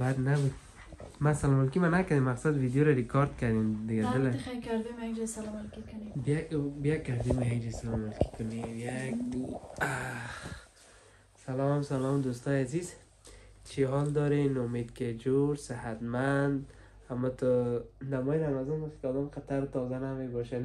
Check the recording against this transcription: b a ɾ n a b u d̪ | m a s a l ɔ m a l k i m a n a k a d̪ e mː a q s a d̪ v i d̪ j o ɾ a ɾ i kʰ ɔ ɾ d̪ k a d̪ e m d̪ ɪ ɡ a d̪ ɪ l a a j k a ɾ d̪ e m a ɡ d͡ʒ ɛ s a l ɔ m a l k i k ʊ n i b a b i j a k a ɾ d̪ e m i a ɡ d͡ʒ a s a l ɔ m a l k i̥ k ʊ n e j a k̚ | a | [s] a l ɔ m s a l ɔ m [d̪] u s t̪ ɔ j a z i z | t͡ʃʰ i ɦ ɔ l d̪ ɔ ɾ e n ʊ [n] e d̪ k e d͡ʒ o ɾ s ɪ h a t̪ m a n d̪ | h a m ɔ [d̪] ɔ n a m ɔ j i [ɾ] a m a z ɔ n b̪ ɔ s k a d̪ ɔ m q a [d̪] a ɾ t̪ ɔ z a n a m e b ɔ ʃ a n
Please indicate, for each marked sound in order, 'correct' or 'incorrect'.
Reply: correct, correct, incorrect: m, incorrect: t̪, correct, incorrect: t̪

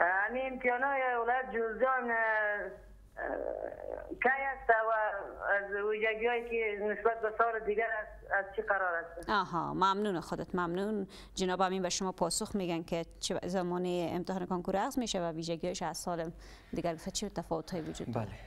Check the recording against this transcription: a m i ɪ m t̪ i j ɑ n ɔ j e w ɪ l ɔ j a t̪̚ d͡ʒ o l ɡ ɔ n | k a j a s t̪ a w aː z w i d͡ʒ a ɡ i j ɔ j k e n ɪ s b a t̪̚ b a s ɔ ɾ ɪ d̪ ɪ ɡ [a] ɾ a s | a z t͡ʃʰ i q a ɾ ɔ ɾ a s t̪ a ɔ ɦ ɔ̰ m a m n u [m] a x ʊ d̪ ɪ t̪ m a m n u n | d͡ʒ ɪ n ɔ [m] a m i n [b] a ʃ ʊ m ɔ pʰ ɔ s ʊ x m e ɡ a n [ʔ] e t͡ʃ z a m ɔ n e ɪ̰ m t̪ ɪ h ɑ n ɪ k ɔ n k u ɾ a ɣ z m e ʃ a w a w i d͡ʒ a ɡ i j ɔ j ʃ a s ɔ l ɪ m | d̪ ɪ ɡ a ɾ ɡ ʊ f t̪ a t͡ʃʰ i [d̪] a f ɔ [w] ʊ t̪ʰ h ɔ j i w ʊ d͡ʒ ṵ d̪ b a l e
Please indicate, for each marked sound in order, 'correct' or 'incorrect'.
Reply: correct, incorrect: n, incorrect: b, correct, incorrect: k, incorrect: t̪, correct

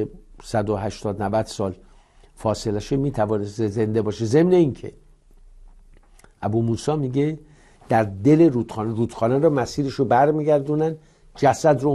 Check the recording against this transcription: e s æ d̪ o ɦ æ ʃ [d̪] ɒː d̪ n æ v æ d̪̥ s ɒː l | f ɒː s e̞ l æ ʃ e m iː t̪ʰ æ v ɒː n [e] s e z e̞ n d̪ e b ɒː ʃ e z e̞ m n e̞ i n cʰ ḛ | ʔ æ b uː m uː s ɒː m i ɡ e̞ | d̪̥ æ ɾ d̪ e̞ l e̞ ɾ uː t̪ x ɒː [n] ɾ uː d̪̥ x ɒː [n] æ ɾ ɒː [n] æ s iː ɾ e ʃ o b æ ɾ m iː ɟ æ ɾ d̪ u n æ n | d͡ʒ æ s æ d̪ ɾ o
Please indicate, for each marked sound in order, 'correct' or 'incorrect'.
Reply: incorrect: t̪, correct, correct, correct, incorrect: m

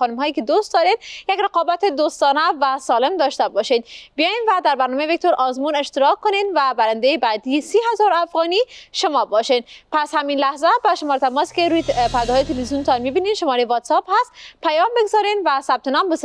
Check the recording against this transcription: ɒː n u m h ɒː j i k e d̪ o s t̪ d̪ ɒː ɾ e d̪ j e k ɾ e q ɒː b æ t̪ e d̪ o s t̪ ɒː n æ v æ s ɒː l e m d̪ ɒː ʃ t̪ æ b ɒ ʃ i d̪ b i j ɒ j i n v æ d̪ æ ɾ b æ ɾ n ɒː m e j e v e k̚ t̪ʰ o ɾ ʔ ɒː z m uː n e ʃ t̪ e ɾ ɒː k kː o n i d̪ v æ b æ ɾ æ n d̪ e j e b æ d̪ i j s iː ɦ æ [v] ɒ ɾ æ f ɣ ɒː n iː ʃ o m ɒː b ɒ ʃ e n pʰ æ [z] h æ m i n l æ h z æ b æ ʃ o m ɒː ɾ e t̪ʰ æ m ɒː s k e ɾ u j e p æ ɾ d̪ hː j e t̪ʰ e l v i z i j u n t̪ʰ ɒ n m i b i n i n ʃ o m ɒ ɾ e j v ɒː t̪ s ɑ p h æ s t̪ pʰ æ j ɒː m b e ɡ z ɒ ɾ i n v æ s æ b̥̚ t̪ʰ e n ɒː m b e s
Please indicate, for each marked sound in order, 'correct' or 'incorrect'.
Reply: incorrect: z, incorrect: s

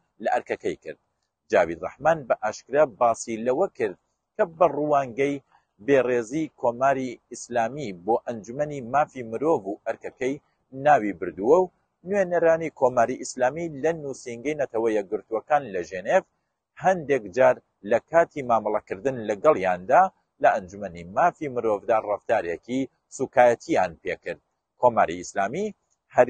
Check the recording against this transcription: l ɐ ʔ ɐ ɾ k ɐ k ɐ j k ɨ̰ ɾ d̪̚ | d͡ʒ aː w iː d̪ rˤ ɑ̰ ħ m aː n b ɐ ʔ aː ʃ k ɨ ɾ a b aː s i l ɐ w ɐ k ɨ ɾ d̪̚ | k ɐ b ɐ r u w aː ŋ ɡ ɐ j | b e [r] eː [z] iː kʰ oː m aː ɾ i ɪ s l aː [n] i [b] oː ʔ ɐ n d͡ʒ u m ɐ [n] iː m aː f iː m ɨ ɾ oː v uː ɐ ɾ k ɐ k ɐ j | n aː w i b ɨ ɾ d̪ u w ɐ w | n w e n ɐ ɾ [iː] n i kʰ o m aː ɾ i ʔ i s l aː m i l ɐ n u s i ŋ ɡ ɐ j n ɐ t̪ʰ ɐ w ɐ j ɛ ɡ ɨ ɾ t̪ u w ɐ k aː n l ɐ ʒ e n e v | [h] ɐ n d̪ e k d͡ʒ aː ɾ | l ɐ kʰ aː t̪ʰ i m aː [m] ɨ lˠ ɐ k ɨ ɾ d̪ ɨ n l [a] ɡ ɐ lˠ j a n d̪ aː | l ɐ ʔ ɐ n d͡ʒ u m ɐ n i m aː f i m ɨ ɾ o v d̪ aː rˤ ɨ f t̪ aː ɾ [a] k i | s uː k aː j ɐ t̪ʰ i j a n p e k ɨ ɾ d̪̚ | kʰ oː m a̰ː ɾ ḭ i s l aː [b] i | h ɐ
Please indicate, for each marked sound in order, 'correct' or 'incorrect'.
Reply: correct, correct, incorrect: m, correct, correct, incorrect: aː, correct, correct, incorrect: ɐ, incorrect: e, incorrect: m

